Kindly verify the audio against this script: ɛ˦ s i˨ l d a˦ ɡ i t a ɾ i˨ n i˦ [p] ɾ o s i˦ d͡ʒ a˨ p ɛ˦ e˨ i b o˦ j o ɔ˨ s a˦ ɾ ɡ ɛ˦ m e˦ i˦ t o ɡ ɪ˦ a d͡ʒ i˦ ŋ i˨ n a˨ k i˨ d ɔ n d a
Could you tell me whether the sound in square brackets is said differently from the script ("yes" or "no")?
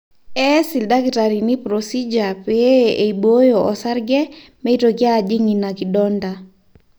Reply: no